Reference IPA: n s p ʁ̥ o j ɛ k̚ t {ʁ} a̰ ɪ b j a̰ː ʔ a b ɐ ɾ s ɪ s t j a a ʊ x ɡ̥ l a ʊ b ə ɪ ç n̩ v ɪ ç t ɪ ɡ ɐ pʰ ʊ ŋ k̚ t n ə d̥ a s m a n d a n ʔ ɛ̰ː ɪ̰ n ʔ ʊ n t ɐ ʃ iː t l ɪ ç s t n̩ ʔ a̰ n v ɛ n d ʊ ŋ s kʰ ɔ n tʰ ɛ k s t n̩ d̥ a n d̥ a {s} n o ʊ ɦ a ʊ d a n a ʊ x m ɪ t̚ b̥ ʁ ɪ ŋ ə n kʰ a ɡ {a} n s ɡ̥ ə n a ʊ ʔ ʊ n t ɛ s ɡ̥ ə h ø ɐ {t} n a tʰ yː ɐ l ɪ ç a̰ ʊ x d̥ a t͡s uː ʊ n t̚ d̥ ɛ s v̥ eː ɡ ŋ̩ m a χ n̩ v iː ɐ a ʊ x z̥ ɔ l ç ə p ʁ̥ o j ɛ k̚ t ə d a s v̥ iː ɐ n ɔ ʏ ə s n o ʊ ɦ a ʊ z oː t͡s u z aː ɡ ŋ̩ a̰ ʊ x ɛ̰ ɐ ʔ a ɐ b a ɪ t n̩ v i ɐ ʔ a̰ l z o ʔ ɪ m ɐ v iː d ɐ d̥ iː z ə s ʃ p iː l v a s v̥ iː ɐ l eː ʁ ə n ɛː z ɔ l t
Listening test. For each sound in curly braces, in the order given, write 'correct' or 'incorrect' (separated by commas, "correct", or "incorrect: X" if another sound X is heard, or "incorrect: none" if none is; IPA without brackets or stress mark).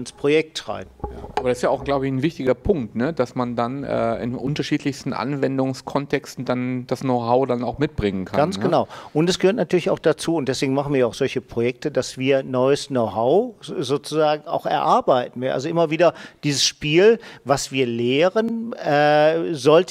correct, correct, correct, correct